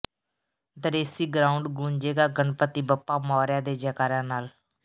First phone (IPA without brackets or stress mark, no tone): d̪